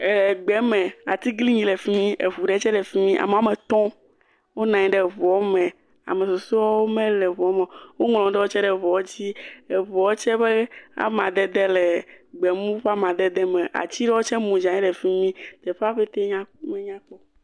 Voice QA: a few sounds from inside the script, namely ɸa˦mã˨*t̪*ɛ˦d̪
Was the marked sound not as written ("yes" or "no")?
yes